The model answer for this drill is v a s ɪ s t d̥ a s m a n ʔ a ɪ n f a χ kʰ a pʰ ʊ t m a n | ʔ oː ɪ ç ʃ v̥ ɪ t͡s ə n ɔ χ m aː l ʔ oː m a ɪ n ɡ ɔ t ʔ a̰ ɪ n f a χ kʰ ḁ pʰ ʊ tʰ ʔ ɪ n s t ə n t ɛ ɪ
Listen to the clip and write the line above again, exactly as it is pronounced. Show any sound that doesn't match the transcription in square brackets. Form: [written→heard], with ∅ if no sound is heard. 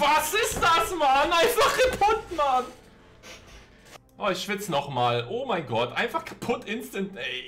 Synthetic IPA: v a s ɪ s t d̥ a s m a n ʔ a ɪ n f a χ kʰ a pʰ ʊ t m a n | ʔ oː ɪ ç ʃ v̥ ɪ t͡s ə n ɔ χ m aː l ʔ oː m a ɪ n ɡ ɔ t ʔ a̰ ɪ n f a χ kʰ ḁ pʰ ʊ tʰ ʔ ɪ n s t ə n t ɛ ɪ